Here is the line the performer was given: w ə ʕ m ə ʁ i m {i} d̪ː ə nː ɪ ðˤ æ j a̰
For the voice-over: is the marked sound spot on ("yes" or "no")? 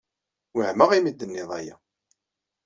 yes